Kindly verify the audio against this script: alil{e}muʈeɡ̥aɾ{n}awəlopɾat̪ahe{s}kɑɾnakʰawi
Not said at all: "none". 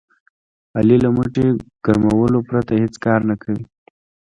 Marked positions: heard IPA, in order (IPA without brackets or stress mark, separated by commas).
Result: a, m, t͡s